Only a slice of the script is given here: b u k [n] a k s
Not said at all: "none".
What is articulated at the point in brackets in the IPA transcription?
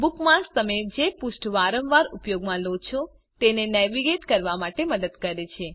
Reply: m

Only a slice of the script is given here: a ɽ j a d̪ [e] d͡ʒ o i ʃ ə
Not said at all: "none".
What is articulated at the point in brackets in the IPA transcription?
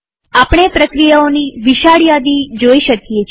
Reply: i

